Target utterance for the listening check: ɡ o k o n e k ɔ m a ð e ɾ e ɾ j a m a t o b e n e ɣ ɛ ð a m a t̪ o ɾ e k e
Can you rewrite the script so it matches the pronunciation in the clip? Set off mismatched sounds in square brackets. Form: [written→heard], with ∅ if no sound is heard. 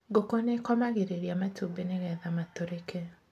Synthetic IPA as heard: ɡ o k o n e k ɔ m a [ð→ɣ] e ɾ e ɾ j a m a t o b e n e ɣ ɛ ð a m a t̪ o ɾ e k e